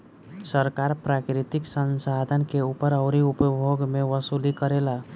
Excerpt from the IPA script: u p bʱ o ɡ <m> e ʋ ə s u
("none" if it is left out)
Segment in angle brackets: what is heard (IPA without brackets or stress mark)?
m